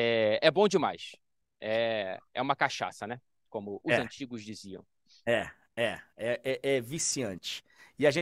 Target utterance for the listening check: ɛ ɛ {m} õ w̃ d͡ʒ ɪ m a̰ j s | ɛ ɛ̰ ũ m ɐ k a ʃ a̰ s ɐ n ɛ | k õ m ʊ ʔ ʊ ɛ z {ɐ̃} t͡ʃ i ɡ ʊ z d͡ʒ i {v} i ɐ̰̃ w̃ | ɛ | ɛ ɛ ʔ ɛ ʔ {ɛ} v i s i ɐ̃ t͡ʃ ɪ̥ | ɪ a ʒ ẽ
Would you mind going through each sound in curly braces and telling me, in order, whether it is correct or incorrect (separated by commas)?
incorrect, correct, incorrect, correct